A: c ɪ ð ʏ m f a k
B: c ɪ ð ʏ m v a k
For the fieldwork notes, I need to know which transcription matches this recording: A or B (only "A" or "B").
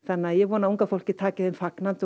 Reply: A